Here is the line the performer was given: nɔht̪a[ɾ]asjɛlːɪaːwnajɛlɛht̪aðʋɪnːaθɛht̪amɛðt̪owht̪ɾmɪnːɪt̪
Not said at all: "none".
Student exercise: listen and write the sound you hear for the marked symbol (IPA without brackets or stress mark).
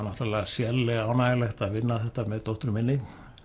l